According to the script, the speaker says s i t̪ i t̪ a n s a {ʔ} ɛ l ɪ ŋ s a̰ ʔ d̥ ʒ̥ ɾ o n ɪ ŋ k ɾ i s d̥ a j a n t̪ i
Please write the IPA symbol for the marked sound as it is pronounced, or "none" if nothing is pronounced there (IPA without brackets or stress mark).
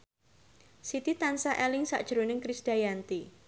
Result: ʔ